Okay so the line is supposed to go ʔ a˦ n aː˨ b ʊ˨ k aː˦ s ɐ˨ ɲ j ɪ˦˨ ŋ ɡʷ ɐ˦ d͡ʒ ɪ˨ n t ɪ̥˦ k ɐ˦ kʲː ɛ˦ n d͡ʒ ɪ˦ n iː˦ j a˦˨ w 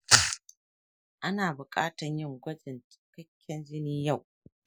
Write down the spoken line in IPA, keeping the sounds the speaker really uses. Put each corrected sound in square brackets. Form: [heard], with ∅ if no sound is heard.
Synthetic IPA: ʔ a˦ n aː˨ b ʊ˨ [kʼ] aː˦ [t] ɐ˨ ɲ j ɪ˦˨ ŋ ɡʷ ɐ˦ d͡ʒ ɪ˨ n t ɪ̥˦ k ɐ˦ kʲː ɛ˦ n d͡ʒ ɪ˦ n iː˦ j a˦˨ w

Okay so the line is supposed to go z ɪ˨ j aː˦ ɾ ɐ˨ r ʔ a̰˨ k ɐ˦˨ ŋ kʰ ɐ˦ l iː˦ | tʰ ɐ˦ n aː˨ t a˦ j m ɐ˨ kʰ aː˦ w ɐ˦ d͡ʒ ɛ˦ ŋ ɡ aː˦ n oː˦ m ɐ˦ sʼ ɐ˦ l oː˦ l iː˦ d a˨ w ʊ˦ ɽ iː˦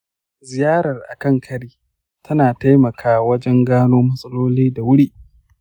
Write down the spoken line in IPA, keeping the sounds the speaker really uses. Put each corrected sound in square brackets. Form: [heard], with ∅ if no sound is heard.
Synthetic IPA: z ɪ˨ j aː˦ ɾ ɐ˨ r ʔ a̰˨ k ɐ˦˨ ŋ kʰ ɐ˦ [ɽ] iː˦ | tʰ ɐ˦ n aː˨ t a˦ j m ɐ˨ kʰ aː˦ w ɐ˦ d͡ʒ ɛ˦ ŋ ɡ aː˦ n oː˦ m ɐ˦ sʼ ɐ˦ l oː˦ l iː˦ d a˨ w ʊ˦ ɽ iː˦

